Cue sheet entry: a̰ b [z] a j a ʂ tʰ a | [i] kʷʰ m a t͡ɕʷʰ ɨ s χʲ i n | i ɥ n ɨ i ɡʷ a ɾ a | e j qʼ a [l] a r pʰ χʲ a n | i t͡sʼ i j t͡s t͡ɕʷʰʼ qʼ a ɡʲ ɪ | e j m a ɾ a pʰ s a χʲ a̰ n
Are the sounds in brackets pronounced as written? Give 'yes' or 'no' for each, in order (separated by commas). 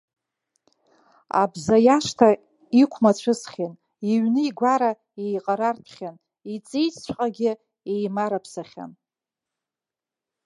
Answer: yes, yes, no